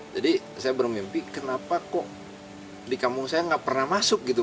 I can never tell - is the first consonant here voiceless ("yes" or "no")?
no